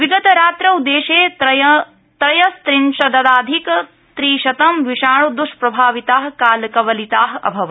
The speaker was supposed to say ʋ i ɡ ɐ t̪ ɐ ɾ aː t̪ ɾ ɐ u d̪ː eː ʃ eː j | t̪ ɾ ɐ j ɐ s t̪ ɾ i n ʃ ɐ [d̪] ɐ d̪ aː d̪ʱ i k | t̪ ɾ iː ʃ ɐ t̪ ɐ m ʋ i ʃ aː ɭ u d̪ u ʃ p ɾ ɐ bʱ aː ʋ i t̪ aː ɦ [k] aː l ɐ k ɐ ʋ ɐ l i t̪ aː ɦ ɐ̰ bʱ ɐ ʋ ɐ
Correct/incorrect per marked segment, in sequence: correct, correct

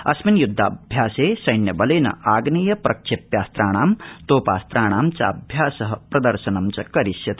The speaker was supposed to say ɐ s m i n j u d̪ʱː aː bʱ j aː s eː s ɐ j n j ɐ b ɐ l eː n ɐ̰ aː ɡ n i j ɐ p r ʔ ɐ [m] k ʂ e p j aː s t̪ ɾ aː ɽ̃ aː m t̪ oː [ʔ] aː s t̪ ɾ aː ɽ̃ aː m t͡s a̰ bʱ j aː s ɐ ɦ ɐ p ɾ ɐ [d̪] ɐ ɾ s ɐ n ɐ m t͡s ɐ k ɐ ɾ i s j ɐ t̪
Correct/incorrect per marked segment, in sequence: incorrect: none, incorrect: p, correct

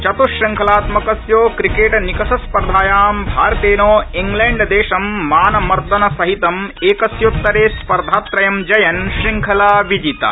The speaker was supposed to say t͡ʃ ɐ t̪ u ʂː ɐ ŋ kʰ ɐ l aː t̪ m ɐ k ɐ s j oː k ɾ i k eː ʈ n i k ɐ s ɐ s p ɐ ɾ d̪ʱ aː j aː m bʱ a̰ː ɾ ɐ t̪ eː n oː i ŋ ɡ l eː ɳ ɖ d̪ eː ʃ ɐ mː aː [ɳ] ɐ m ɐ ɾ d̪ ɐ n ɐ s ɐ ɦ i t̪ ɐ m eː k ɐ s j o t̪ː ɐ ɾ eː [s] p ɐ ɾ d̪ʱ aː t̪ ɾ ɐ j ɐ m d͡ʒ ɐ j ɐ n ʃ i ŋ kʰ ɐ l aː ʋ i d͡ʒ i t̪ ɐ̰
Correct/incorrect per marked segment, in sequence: incorrect: n, correct

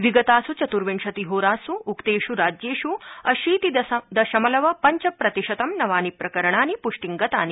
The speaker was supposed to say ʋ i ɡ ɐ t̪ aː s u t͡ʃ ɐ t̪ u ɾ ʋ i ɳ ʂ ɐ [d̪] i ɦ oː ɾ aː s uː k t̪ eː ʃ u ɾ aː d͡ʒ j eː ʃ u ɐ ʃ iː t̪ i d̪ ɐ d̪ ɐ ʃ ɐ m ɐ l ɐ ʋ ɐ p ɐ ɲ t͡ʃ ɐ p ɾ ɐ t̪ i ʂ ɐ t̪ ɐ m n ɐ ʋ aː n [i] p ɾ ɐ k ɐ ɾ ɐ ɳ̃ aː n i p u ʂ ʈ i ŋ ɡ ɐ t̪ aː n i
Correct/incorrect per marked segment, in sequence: incorrect: t̪, correct

